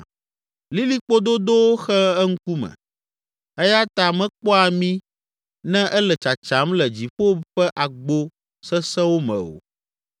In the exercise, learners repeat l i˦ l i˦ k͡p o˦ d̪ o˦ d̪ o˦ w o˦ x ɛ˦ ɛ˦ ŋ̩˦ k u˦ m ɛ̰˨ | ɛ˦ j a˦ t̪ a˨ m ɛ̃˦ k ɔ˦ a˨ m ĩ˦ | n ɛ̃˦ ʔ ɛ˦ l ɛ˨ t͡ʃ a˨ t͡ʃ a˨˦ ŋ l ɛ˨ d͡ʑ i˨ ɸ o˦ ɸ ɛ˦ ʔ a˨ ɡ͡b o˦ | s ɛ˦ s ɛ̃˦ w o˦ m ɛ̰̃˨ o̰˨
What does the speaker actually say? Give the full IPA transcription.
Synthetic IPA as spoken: l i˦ l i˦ k͡p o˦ d̪ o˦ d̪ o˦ w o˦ x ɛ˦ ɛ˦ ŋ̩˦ k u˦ m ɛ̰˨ | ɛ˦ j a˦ t̪ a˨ m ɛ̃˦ k͡p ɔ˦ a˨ m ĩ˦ | n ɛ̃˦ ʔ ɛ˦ l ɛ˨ t͡ʃ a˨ t͡ʃ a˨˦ m l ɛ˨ d͡ʑ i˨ ɸ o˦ ɸ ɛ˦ ʔ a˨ ɡ͡b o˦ | s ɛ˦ s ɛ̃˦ w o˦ m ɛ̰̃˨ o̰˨